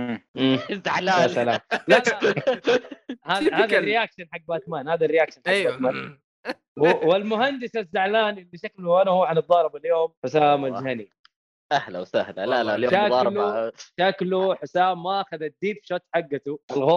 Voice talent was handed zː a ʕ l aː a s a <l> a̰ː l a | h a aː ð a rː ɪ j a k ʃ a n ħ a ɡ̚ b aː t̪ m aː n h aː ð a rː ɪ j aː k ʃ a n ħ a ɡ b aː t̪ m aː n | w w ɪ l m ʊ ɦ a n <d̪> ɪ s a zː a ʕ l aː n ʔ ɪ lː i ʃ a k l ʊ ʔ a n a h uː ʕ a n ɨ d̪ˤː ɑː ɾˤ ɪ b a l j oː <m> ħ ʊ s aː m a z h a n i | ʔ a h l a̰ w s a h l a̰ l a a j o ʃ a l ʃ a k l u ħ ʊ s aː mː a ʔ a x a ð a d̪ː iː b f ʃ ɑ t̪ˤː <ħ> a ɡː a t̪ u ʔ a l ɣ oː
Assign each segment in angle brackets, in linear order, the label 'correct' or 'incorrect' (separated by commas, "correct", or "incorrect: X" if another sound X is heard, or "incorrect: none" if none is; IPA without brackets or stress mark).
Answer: correct, correct, correct, correct